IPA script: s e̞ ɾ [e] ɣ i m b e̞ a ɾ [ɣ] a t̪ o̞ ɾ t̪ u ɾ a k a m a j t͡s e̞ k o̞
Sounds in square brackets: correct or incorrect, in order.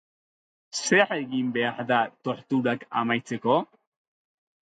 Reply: correct, incorrect: ð

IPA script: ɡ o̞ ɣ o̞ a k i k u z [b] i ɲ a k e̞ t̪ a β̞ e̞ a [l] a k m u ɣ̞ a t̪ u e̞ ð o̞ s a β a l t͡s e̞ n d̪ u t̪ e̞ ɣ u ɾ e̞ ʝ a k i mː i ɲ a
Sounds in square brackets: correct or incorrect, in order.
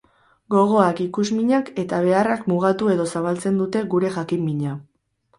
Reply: incorrect: m, incorrect: r

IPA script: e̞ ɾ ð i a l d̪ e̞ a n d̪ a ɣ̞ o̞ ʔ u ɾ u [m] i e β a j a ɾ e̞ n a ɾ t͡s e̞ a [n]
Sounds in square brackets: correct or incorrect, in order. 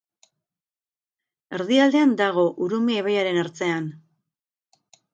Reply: correct, correct

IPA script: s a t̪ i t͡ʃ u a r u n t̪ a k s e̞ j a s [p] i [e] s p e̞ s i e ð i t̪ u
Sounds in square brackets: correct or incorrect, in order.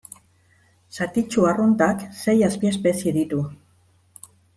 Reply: correct, correct

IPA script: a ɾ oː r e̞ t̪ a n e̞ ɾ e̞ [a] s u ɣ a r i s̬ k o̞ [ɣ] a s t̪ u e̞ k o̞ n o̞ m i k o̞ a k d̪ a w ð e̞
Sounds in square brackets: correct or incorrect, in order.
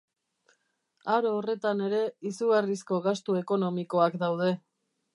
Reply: incorrect: i, correct

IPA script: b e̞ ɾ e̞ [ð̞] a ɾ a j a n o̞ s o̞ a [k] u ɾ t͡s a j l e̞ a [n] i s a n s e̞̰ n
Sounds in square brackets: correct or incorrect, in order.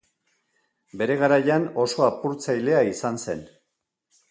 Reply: incorrect: ɣ̞, incorrect: p, incorrect: none

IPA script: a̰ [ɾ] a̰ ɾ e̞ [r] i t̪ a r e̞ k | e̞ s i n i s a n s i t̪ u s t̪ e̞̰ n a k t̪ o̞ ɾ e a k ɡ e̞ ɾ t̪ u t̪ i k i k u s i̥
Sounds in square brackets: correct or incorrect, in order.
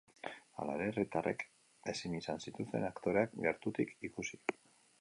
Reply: incorrect: l, correct

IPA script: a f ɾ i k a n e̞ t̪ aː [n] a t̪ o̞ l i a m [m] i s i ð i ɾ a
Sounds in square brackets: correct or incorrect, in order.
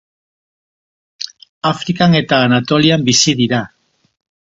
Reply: correct, incorrect: b

